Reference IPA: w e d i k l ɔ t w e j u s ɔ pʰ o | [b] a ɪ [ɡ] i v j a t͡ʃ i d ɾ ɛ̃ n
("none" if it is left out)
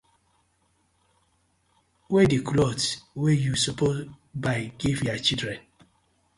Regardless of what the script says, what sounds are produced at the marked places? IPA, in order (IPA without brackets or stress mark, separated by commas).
b, ɡ